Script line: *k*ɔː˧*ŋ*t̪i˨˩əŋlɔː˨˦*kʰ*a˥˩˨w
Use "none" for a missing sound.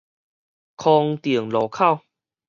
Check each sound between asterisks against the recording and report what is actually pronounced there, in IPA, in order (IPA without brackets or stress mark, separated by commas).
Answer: kʰ, ŋ, kʰ